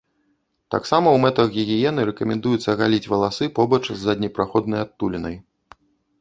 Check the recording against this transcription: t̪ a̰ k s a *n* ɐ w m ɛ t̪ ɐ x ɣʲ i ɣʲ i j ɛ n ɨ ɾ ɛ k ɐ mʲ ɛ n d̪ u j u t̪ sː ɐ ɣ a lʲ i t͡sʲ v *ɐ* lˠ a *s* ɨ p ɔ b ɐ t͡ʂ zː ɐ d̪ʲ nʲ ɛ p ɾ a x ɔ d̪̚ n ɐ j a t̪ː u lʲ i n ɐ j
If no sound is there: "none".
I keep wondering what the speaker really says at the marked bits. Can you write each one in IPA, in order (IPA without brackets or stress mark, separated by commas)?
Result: m, ɐ, s